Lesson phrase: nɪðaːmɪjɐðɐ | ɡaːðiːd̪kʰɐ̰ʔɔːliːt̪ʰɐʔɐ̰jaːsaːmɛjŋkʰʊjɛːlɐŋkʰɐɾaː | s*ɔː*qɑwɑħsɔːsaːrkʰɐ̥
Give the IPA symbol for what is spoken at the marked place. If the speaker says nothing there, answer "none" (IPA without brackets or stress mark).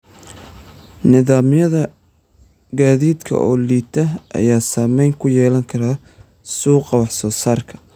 uː